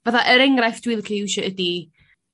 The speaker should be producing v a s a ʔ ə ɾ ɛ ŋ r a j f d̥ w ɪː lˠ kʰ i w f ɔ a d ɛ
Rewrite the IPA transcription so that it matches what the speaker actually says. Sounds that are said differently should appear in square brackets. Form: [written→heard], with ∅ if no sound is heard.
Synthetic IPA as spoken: v a [s→θ] a ʔ ə ɾ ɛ ŋ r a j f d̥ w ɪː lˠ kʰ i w [f→ʃ] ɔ [a→ə] d [ɛ→i]